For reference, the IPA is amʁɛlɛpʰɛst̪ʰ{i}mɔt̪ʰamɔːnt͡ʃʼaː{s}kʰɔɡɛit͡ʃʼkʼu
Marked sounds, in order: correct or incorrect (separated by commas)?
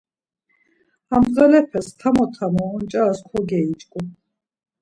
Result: incorrect, correct